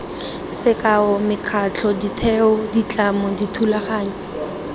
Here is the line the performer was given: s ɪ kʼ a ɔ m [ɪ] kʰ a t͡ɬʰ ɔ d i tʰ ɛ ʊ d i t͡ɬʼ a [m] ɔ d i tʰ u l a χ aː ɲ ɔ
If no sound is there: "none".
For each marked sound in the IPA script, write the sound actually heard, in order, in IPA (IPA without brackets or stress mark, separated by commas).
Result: ɪ, m